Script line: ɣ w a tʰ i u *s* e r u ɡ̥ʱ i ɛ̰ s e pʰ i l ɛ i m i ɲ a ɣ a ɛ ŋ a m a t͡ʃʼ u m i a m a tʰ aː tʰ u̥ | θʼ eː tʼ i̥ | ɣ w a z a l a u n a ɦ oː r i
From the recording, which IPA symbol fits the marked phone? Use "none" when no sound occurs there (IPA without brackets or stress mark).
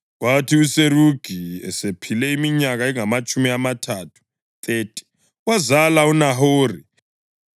s